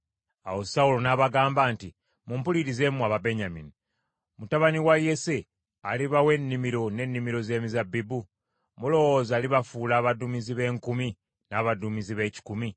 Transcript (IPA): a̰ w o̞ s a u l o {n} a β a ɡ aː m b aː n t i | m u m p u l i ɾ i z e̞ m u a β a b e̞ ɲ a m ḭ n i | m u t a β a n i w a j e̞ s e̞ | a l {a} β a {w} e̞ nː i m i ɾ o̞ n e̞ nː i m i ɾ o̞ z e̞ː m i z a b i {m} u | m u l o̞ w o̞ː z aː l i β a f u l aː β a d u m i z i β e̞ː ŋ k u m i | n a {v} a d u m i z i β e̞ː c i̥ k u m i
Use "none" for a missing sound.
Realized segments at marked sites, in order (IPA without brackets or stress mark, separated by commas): n, i, w, b, β